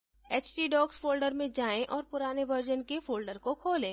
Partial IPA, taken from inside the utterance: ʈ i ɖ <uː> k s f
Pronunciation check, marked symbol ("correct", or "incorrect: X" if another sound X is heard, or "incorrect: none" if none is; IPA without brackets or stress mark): incorrect: ɔː